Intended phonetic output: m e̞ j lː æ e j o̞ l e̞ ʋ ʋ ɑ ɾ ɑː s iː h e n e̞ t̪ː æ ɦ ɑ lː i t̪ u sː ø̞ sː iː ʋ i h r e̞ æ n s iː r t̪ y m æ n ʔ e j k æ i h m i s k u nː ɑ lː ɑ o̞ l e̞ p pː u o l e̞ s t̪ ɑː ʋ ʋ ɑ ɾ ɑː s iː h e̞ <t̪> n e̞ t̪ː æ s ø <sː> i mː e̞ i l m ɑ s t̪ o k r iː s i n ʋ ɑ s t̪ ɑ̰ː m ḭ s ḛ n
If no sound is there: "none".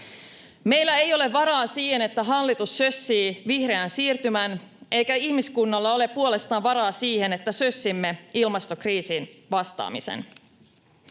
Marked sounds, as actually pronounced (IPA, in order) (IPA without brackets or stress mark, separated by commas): none, sː